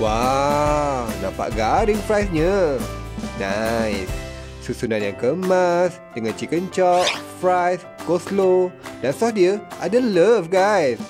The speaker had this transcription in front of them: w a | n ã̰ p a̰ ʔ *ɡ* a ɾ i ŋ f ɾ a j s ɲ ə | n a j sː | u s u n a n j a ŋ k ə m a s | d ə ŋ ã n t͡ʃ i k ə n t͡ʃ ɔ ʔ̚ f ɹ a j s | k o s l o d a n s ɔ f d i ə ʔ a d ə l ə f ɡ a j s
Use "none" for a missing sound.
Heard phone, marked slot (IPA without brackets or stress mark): ɡ